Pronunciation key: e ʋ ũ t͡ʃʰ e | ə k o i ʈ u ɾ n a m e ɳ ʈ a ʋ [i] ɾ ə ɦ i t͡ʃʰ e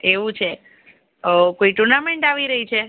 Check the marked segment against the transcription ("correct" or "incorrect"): correct